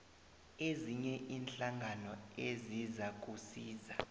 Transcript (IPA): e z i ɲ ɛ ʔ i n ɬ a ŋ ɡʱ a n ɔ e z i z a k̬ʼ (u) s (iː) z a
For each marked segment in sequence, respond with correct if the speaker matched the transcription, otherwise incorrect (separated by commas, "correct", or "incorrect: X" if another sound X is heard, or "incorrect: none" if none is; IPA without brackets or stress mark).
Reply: correct, correct